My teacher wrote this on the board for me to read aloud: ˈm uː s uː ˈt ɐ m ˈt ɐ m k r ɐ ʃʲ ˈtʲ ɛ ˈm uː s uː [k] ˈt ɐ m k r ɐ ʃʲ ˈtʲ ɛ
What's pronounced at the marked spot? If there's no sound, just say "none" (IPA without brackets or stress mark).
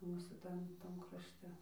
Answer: none